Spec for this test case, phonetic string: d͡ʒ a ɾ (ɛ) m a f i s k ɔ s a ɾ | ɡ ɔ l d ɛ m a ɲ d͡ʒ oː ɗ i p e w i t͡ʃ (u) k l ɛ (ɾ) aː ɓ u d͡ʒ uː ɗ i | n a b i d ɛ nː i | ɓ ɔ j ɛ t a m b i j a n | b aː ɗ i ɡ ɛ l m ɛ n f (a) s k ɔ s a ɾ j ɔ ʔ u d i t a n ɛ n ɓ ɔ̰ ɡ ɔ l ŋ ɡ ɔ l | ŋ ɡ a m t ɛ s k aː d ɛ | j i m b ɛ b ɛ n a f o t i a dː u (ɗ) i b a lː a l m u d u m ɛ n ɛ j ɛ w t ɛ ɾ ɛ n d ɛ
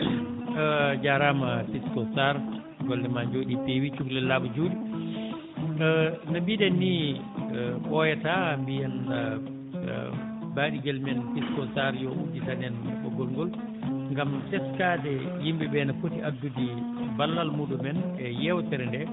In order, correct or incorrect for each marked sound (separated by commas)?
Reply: incorrect, correct, incorrect, incorrect, incorrect